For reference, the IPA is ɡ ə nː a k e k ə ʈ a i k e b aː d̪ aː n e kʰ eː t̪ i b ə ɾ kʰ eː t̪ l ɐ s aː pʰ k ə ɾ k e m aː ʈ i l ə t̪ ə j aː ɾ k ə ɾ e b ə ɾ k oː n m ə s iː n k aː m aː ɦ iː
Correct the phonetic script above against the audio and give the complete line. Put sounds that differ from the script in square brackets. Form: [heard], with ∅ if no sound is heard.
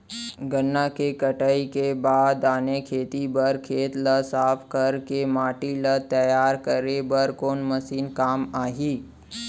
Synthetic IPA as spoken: ɡ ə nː a k e k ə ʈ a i k e b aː d̪ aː n e kʰ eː t̪ i b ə ɾ kʰ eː t̪ l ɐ s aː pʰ k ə ɾ k e m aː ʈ i l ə t̪ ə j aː ɾ k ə ɾ e b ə ɾ k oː n m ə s iː n k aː m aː ɦ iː